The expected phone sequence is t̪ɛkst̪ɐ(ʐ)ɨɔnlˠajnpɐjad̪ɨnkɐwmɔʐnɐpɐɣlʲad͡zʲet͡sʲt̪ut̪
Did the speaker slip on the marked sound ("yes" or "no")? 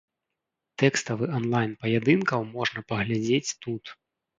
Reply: yes